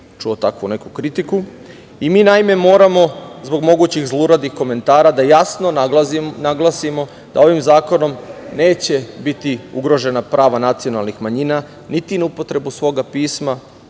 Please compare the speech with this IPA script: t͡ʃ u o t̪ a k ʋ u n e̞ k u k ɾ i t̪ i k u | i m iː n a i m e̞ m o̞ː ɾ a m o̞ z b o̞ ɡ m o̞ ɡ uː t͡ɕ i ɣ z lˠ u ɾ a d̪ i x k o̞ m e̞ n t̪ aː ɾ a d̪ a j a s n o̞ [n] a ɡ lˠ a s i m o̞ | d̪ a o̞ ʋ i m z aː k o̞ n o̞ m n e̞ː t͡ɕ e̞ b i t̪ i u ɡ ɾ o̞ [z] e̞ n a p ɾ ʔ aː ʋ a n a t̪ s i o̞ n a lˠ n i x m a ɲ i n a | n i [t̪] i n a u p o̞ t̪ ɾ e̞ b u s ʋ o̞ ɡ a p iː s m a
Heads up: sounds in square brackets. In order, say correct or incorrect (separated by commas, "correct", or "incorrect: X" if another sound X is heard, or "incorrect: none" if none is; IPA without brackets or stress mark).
correct, incorrect: ʒ, correct